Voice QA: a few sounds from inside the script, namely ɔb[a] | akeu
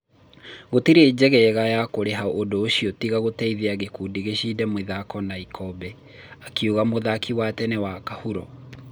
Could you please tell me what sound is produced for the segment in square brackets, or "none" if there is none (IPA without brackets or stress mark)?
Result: ɛ